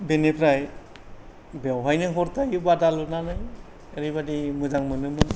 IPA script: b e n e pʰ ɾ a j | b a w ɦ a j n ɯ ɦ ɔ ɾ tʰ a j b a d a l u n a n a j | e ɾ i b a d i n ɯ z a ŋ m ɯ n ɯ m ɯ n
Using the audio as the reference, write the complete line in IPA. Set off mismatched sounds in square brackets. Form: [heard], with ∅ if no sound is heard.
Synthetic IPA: b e n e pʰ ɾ a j | b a w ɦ a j n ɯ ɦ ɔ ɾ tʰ a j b a d a l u n a n a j | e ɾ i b a d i [m] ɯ z a ŋ m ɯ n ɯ m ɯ n